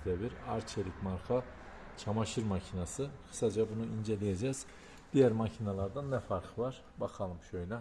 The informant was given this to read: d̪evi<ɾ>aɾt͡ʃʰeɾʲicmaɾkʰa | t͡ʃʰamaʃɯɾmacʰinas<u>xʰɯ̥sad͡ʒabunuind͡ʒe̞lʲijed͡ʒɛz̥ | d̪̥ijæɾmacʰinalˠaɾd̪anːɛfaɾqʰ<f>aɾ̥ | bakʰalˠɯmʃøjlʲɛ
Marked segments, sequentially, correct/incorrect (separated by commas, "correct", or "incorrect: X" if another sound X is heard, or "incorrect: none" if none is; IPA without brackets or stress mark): correct, incorrect: ɯ, incorrect: v